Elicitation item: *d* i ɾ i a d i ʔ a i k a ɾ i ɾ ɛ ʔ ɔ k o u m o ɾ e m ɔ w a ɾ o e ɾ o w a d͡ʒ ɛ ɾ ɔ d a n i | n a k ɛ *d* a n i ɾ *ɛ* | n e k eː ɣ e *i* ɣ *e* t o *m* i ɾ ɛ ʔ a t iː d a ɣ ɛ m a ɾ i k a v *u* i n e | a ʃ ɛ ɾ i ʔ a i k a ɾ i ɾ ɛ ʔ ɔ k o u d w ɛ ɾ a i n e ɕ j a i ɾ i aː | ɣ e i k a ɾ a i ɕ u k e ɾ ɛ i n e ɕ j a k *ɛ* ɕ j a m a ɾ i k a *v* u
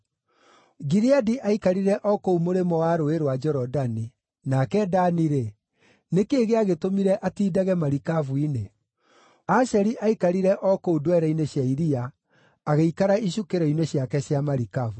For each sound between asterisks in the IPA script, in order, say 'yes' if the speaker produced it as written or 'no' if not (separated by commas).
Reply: no, yes, no, no, yes, yes, yes, yes, yes